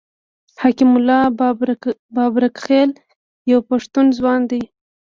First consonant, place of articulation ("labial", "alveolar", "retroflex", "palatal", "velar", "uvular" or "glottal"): glottal